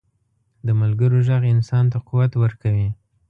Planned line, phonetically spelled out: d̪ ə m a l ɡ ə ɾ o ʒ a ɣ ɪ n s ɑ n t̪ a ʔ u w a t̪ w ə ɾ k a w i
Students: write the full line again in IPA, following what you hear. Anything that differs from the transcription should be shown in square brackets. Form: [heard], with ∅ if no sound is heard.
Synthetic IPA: d̪ ə m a l ɡ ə ɾ o ʒ a ɣ ɪ n s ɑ n t̪ a [q] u w a t̪ w ə ɾ k a w i